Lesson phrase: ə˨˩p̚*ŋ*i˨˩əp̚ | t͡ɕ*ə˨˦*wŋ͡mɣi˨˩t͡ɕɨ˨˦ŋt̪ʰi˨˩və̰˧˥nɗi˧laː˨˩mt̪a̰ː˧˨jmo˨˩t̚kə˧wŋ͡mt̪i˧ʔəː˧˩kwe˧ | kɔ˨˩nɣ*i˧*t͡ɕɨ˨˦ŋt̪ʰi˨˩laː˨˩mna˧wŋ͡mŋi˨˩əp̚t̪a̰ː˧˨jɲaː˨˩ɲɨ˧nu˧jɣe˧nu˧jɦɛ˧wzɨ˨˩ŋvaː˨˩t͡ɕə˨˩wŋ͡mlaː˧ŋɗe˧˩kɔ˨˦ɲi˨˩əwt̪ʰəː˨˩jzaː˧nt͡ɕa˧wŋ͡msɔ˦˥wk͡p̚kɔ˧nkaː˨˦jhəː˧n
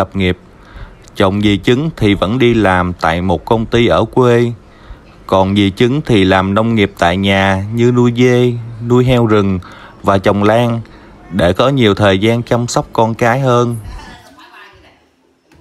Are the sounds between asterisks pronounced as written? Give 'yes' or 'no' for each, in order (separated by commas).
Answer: yes, no, no